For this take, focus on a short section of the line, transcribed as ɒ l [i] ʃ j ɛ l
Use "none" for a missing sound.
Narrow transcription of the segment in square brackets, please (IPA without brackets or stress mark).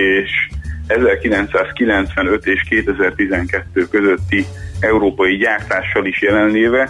i